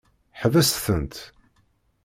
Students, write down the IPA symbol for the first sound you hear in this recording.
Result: ħ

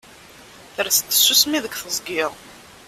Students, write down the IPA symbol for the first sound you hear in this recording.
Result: θ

